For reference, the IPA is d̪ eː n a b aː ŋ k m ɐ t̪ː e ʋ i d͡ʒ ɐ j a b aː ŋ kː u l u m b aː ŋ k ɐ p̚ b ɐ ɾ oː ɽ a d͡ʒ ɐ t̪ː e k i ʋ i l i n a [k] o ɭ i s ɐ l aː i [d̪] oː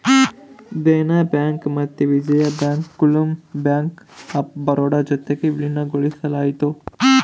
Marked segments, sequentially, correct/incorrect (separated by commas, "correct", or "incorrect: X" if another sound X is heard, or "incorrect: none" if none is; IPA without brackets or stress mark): incorrect: ɡ, incorrect: t̪